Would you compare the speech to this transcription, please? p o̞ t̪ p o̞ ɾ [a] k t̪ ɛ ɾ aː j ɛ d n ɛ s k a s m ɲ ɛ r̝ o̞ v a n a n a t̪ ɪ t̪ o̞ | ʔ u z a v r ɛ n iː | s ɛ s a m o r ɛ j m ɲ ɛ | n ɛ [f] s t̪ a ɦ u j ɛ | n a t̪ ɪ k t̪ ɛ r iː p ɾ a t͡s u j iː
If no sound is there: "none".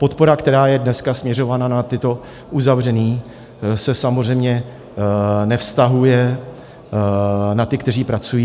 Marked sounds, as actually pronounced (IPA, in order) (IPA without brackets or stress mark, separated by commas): a, f